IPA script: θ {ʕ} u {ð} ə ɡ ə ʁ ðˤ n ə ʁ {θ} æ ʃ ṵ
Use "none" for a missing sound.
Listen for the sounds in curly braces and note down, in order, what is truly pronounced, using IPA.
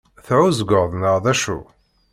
ʕ, z, ð

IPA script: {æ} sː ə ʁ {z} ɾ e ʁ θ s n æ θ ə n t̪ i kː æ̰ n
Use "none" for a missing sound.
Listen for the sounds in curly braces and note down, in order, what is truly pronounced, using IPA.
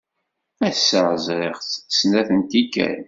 æ, z

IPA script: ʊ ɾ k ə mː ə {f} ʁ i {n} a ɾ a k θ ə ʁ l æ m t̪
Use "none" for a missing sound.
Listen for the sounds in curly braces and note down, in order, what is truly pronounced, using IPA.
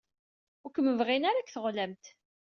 v, n

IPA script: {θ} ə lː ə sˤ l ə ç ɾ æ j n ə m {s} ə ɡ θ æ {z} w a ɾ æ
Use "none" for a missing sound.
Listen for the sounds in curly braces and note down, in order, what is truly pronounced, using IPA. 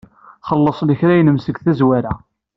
χ, s, z

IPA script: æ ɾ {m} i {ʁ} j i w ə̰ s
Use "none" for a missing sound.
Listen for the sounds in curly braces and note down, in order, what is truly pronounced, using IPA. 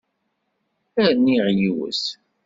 n, ʁ

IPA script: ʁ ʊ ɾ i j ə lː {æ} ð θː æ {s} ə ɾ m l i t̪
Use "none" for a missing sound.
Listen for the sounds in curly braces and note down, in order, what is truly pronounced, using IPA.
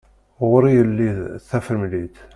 i, f

